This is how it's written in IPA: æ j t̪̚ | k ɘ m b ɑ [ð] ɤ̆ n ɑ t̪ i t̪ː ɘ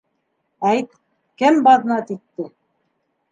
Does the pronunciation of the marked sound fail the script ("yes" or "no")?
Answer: no